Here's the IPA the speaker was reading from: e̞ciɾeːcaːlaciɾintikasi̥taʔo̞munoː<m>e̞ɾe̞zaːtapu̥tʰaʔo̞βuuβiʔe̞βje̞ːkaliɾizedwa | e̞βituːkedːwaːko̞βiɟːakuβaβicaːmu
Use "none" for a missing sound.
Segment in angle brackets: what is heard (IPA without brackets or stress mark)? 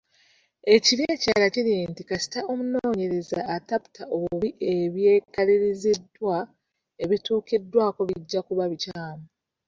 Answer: ɲ